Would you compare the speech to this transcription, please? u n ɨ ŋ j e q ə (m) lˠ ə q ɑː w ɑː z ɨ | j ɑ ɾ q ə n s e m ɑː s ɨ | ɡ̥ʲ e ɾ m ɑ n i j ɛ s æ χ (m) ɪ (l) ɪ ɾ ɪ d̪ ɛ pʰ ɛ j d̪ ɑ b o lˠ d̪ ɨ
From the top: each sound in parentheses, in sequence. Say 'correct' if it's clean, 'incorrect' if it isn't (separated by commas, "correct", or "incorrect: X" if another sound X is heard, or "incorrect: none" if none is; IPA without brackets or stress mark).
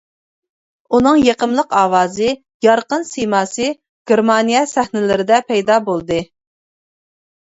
correct, incorrect: n, correct